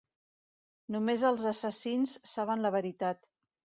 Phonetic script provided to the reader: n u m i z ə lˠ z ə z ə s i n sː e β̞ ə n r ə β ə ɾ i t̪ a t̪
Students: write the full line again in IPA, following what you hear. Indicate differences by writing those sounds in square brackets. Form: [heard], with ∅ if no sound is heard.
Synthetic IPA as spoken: n u m [e] z ə lˠ z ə [s] ə s i n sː [a] β̞ ə n [l] ə β ə ɾ i t̪ a t̪

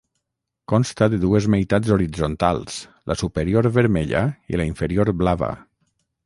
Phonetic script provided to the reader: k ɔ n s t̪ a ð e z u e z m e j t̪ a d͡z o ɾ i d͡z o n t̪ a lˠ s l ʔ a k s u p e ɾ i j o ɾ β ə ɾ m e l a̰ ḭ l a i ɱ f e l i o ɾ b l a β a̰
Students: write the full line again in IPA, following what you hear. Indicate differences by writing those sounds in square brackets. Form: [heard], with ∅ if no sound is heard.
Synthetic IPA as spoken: k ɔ n s t̪ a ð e [ð] u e z m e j t̪ a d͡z o ɾ i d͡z o n t̪ a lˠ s l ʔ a [∅] s u p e ɾ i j o ɾ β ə ɾ m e [ʎ] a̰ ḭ l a i ɱ f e [ɾ] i o ɾ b l a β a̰

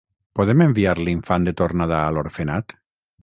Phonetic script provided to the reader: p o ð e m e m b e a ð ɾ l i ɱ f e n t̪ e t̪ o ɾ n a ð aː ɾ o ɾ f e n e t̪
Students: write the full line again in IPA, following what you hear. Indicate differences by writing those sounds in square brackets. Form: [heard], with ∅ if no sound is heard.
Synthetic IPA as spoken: p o ð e m e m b [i] a [∅] ɾ l i ɱ f [a] n [d̪] e t̪ o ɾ n a ð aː [l] o ɾ f e n [a] t̪

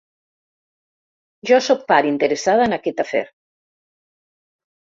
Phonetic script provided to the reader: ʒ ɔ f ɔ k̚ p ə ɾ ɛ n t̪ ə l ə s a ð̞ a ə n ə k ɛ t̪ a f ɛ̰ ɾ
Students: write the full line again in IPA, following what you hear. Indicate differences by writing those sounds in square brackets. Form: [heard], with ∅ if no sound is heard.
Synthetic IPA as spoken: ʒ ɔ [s] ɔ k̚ p [a] ɾ [i] n t̪ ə [ɾ] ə s a ð̞ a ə n [a] k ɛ t̪ a f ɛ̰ ɾ

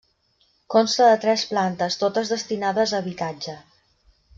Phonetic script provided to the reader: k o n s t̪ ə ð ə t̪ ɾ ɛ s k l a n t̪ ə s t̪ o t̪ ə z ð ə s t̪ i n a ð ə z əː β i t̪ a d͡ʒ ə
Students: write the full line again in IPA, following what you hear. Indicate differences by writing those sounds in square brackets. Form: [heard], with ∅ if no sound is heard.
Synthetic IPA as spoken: k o n s t̪ ə ð ə t̪ ɾ ɛ s [p] l a n t̪ ə s t̪ o t̪ ə z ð ə s t̪ i n a ð ə z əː β i t̪ a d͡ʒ ə

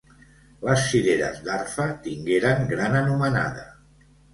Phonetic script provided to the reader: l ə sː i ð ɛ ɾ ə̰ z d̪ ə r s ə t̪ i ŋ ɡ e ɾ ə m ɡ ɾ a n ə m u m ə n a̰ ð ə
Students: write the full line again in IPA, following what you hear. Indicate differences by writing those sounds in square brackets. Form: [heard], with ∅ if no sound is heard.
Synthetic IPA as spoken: l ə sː i ð [e] ɾ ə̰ z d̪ [a] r [f] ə t̪ i ŋ ɡ e ɾ ə [ŋ] ɡ ɾ a n ə [n] u m ə n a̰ ð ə

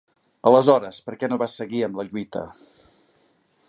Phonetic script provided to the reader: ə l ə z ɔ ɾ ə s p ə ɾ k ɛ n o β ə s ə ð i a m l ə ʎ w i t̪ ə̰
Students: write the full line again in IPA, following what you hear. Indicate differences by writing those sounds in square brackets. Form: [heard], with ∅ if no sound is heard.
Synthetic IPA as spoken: ə l ə z ɔ ɾ ə s p ə ɾ k ɛ n o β [a] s ə [ɣ] i [ə] m l ə ʎ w i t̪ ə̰

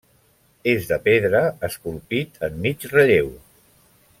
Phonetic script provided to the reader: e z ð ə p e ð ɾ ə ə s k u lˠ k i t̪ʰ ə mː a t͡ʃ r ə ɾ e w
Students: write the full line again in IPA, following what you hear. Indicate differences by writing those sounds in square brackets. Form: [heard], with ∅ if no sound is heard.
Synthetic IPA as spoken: e z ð ə p e ð ɾ ə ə s k u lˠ [p] i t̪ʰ ə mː [i] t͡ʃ r ə [ʎ] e w

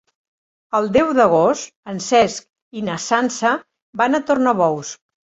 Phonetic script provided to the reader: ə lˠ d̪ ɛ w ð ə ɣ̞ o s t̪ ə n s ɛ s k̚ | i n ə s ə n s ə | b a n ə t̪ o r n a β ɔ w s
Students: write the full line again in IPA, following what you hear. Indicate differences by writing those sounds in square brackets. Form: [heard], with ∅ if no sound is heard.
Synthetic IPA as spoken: ə lˠ d̪ ɛ w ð ə ɣ̞ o s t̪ ə n s ɛ s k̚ | i n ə s [a] n s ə | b a n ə t̪ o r n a β ɔ w s

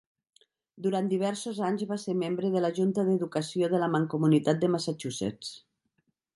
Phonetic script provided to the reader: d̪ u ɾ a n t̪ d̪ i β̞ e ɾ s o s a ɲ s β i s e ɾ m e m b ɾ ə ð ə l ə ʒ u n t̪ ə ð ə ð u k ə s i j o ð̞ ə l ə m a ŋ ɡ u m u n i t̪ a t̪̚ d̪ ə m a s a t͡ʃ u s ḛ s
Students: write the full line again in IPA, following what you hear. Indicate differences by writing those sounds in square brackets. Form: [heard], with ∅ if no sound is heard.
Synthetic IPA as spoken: d̪ u ɾ a n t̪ d̪ i β̞ [ɛ] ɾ s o [z] a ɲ [z] β [a] s e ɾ m e m b ɾ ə ð ə l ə ʒ u n t̪ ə ð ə ð u k ə s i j o ð̞ ə l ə m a ŋ [k] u m u n i t̪ a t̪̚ d̪ ə m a s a t͡ʃ u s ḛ [t͡s]

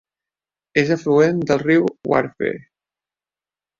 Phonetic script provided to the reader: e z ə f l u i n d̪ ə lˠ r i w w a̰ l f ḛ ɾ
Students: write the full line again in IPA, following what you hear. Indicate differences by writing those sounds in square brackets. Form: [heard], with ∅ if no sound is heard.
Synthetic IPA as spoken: e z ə f l u [e] n d̪ ə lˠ r i w w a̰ [ɾ] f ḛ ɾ

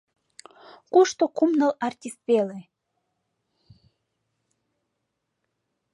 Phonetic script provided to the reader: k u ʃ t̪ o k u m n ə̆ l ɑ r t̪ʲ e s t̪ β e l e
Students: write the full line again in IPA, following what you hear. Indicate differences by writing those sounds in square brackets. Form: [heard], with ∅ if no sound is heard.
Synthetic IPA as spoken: k u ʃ t̪ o k u m n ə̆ l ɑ r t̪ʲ [i] s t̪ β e l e

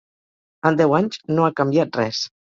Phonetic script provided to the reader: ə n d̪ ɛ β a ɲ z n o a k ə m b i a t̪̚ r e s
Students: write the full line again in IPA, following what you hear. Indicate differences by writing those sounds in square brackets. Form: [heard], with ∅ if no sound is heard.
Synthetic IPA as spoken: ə n d̪ ɛ [w] a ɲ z n o a k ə m b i a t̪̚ r [ɛ] s

